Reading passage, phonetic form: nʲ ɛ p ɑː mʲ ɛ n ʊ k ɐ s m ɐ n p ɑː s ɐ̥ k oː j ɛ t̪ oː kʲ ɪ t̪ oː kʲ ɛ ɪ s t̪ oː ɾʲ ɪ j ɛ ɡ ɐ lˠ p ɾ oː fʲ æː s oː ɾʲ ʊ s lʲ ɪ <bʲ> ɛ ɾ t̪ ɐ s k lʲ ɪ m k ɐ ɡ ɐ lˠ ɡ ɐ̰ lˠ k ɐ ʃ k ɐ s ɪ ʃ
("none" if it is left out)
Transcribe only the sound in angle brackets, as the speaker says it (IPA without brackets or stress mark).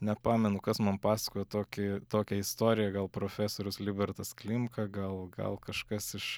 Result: bʲ